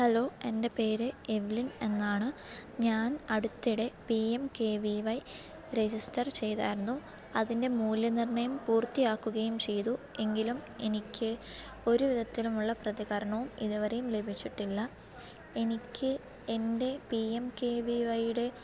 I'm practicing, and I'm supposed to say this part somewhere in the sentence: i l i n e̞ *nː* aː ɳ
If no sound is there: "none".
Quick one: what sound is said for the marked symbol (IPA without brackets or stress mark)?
nː